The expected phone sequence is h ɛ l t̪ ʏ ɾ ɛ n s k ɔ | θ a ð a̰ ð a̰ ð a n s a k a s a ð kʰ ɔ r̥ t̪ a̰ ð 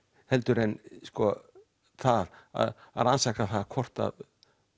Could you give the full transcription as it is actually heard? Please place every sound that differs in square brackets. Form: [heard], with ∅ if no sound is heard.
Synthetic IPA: h ɛ l t̪ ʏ ɾ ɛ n s k ɔ | θ a ð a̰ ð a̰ ð a n s a k a [θ] a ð kʰ ɔ r̥ t̪ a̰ ð